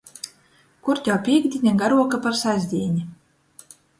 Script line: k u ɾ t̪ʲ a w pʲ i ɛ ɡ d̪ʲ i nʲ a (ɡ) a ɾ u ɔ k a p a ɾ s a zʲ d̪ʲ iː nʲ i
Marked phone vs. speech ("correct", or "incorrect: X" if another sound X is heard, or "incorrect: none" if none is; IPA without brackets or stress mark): correct